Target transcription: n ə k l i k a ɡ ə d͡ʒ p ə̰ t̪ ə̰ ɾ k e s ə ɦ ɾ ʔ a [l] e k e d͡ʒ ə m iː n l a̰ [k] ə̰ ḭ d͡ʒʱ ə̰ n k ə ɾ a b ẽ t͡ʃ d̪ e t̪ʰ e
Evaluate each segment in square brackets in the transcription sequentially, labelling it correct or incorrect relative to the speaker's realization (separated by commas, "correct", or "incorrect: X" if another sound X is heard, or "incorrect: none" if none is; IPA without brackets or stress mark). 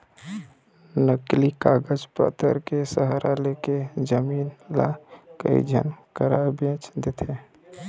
correct, correct